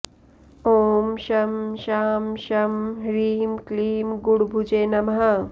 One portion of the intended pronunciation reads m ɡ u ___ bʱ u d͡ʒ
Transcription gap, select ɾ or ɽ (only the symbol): ɽ